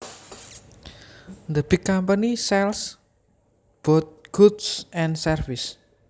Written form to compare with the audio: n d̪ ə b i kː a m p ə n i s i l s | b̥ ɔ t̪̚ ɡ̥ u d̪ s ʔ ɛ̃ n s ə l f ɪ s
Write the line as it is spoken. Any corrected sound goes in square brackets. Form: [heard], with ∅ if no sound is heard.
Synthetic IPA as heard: n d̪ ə b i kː a m p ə n i s [ɛ] l s | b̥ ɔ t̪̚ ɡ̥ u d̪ s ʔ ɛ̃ n s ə [r] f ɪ s